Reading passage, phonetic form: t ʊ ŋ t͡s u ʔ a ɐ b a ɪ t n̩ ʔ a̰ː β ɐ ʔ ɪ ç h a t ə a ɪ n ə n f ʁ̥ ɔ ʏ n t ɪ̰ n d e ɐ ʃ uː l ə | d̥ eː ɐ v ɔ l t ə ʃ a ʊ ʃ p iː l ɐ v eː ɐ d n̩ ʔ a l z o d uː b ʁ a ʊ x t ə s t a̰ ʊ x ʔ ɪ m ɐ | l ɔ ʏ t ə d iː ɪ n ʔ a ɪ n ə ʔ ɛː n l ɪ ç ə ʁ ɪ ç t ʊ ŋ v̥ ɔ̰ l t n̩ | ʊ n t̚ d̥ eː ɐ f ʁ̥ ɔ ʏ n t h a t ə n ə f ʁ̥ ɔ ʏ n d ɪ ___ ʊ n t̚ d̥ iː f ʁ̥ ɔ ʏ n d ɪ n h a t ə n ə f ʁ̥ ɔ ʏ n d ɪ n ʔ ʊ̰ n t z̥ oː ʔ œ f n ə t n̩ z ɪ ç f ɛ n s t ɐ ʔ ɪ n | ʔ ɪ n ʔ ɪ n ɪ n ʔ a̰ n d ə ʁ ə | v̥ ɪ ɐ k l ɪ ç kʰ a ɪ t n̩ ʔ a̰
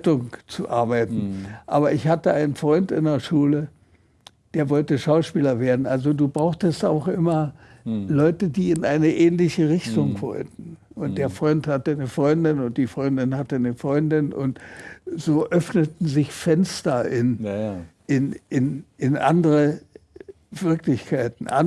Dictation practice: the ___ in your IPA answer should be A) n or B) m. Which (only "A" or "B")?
A